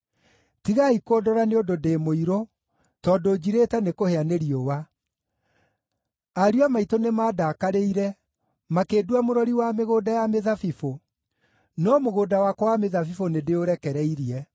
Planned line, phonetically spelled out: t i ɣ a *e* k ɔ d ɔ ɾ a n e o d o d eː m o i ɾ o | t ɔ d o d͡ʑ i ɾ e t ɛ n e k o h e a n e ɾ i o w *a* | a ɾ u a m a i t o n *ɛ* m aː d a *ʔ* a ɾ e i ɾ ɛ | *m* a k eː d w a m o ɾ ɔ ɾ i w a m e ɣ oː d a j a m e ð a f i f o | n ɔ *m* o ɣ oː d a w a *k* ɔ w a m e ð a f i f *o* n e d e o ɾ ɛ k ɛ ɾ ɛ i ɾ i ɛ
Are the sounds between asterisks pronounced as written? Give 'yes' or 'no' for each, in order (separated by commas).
no, yes, no, no, yes, yes, yes, yes